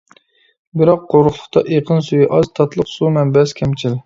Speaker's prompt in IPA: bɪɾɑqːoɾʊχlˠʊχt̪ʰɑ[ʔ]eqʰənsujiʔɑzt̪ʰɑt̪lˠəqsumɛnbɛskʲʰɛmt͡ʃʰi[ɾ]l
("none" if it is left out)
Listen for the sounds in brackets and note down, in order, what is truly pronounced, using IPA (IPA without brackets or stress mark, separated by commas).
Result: ʔ, none